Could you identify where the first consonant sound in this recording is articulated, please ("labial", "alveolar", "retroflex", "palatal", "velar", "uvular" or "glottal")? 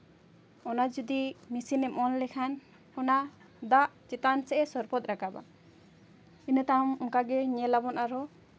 alveolar